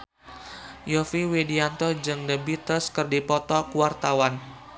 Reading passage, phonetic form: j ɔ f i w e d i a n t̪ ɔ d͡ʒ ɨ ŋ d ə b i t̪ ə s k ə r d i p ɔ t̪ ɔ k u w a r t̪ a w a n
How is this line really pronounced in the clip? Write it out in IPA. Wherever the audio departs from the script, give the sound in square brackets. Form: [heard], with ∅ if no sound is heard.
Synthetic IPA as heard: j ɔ f i w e d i a n t̪ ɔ d͡ʒ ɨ ŋ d ə b i t̪ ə s k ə r d i p ɔ t̪ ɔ k u w a r t̪ a w a n